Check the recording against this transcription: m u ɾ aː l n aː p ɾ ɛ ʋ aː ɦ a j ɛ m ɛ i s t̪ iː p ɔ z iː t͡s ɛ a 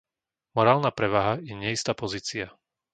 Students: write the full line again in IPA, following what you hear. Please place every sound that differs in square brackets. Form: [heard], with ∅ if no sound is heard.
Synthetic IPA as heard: m [ɔ] ɾ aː l n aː p ɾ ɛ ʋ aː ɦ a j ɛ [ɲ] ɛ i s t̪ [aː] p ɔ z iː t͡s [i] a